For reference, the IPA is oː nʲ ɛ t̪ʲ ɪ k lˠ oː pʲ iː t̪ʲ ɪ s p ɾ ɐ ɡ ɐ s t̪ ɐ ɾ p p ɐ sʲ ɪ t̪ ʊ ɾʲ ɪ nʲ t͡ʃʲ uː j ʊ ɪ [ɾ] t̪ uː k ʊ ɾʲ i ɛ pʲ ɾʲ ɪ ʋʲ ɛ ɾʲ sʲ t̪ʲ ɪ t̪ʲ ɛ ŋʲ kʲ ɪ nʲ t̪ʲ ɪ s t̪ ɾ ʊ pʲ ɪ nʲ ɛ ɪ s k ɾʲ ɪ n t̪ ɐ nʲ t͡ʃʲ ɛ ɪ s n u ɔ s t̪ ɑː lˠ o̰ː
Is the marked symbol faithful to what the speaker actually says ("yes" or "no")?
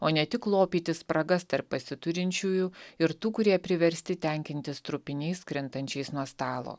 yes